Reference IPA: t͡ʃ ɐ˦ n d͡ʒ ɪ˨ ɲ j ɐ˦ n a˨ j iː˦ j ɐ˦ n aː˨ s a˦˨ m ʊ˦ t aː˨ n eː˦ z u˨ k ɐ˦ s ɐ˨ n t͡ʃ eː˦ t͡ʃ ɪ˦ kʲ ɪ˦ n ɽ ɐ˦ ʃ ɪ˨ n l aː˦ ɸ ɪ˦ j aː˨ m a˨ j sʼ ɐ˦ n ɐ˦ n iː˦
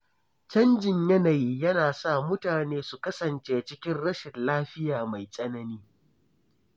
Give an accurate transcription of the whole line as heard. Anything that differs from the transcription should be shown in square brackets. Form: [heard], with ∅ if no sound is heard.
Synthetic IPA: t͡ʃ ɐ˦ n d͡ʒ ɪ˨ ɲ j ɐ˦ n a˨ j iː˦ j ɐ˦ n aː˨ s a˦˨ m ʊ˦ t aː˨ n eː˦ [s] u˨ k ɐ˦ s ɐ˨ n t͡ʃ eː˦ t͡ʃ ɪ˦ kʲ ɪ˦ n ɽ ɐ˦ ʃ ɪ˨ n l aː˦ ɸ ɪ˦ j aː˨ m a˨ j sʼ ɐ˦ n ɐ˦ n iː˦